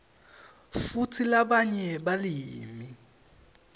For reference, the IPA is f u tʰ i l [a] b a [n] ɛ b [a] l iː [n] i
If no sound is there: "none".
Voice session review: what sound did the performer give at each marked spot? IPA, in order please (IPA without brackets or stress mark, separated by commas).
a, ɲ, a, m